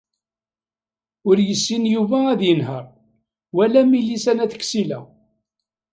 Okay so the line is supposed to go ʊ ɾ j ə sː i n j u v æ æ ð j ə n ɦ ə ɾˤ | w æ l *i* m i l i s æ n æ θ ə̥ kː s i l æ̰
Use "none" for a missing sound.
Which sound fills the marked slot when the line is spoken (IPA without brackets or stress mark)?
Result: æ